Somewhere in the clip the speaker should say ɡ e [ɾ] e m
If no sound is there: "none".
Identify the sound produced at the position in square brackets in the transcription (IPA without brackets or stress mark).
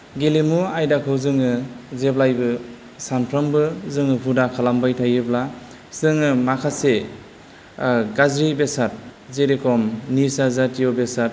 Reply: l